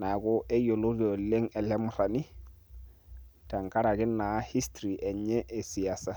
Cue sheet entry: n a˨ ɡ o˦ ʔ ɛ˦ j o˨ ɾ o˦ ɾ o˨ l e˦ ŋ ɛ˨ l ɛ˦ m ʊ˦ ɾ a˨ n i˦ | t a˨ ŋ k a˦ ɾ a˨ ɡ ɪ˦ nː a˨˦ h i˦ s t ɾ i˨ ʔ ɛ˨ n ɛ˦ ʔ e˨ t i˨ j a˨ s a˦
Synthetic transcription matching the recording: n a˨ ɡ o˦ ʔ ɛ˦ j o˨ l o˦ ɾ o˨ l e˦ ŋ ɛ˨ l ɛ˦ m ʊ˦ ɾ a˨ n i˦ | t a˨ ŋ k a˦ ɾ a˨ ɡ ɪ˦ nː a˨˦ h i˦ s t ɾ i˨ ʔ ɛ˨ ɲ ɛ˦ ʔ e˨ s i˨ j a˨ s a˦